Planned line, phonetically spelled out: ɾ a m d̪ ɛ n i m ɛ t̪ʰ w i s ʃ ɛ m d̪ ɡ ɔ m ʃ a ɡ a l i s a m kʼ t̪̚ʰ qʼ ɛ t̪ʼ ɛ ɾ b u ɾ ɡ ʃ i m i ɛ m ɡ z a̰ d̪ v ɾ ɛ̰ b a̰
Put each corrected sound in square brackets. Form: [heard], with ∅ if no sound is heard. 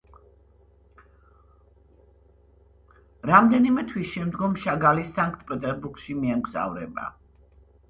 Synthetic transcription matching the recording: ɾ a m d̪ ɛ n i m ɛ t̪ʰ w i s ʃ ɛ m d̪ ɡ ɔ m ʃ a ɡ a l i s a [ŋ] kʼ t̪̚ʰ [pʼ] ɛ t̪ʼ ɛ ɾ b u ɾ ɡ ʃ i m i ɛ m ɡ z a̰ [∅] v ɾ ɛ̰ b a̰